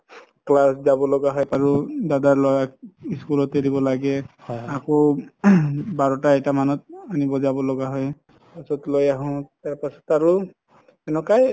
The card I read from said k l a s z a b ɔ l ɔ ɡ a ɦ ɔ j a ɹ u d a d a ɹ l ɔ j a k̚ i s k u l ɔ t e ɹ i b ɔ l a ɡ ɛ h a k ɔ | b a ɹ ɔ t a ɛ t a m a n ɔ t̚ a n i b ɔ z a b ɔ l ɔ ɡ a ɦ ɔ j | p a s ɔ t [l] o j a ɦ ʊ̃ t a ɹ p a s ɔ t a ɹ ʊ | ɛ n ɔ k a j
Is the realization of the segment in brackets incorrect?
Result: no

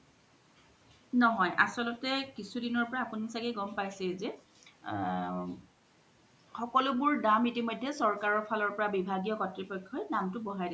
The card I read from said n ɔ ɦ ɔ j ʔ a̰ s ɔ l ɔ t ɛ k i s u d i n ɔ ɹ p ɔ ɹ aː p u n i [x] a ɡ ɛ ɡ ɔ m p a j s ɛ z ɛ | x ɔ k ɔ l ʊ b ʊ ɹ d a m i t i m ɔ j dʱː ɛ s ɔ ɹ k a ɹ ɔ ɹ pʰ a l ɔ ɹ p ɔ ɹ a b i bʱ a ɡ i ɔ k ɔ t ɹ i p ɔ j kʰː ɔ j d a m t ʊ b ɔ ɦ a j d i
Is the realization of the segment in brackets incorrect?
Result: yes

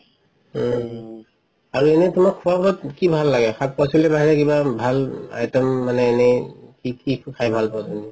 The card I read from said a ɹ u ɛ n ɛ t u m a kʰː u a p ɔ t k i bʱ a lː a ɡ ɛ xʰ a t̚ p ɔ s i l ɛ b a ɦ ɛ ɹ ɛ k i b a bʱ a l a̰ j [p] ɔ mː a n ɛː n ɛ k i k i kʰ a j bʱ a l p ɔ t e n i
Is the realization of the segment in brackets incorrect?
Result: yes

